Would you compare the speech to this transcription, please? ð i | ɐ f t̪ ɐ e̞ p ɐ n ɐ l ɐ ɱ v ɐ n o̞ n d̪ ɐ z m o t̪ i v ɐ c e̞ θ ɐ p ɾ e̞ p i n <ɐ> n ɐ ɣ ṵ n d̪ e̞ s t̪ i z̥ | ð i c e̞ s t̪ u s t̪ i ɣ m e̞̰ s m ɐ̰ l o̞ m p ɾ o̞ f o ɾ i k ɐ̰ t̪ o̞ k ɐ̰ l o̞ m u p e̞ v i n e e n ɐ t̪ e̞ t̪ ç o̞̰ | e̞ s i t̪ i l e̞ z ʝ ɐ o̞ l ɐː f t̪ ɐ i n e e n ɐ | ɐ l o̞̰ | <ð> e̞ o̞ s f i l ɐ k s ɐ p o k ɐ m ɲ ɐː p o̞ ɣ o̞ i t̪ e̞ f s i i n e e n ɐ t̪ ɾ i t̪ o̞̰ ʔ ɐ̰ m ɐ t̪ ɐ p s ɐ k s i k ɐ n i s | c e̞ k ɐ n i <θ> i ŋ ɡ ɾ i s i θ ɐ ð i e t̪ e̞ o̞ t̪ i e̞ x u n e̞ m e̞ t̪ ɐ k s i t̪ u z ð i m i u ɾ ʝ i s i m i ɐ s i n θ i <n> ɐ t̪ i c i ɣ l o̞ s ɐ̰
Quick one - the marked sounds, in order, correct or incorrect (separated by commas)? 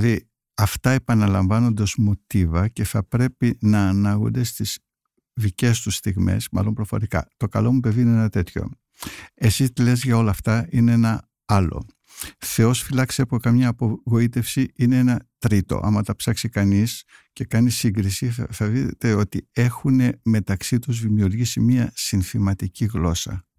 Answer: incorrect, incorrect, incorrect, incorrect